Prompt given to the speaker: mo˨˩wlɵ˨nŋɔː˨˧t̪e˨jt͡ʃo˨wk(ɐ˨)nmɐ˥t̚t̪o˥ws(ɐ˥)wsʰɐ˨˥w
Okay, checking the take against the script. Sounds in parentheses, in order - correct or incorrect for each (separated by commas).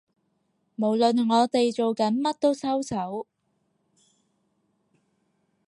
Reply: incorrect, correct